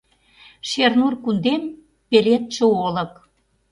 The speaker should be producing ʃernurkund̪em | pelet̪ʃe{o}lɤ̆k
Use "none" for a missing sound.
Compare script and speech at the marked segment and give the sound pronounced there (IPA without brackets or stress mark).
o